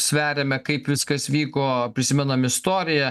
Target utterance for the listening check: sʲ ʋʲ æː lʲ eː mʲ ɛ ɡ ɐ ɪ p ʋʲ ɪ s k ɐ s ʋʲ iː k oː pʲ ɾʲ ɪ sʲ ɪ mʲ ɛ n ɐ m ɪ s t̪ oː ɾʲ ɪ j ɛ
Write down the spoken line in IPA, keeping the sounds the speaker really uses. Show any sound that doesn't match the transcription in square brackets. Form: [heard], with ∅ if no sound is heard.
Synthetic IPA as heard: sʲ ʋʲ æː [ɾʲ] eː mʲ ɛ [k] ɐ ɪ p ʋʲ ɪ s k ɐ s ʋʲ iː k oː pʲ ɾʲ ɪ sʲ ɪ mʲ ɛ n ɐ m ɪ s t̪ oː ɾʲ ɪ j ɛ